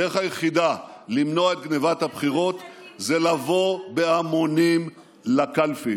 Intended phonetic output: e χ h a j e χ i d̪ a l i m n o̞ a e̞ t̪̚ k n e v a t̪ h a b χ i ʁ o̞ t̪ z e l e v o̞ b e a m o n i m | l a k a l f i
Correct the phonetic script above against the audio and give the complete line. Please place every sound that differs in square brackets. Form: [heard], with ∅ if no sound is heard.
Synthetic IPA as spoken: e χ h a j e χ i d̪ a l i m n o̞ a e̞ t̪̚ [ɡ] n e v a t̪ h a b χ i ʁ o̞ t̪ z e l [a] v o̞ b e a m o n i m | l a k a l f i